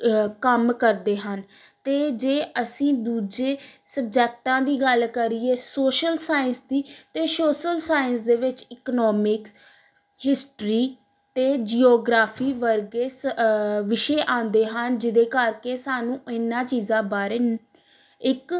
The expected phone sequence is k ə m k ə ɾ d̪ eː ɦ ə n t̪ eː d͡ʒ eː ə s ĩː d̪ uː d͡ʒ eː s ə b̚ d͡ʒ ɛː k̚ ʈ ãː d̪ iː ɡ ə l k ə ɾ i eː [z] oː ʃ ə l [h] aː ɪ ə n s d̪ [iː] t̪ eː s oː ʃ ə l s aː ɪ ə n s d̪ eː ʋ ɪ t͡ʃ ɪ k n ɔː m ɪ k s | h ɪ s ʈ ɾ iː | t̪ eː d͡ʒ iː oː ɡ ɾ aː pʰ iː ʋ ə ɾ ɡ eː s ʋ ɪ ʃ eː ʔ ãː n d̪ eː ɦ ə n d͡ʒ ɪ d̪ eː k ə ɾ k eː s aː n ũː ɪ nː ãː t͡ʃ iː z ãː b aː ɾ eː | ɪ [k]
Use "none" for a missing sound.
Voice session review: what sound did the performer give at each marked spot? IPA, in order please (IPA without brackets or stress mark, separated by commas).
s, s, iː, k